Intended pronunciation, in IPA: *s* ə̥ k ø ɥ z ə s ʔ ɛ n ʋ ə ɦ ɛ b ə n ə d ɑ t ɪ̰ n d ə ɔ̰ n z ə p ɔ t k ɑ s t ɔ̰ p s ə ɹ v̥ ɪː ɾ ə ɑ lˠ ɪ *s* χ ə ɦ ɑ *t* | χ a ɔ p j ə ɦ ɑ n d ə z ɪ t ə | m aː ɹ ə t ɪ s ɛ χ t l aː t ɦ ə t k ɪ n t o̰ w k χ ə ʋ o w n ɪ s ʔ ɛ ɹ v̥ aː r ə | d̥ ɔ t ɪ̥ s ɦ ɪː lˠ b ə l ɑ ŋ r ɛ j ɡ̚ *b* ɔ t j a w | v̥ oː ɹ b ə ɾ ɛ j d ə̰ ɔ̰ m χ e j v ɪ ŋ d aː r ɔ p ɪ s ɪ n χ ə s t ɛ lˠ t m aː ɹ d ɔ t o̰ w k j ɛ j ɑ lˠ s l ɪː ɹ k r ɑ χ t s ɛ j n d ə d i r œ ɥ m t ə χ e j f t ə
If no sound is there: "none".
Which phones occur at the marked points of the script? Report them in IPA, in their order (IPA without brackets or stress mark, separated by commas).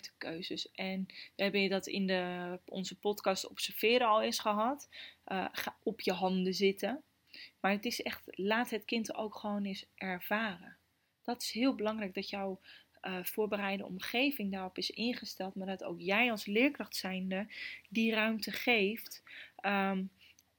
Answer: t, s, t, d